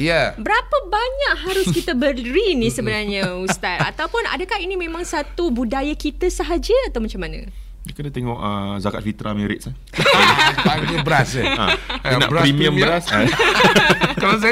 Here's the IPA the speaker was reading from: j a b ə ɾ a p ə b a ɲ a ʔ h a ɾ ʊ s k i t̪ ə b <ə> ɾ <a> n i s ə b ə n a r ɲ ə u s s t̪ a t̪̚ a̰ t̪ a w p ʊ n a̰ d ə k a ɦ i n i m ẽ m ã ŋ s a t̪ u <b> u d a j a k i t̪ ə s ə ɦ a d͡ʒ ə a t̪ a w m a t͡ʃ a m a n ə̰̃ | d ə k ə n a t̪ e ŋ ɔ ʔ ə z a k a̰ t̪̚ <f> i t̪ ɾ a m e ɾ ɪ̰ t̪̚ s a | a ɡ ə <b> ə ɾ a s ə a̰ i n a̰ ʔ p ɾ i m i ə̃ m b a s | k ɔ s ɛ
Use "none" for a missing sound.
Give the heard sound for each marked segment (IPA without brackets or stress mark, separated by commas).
ə, i, b, f, b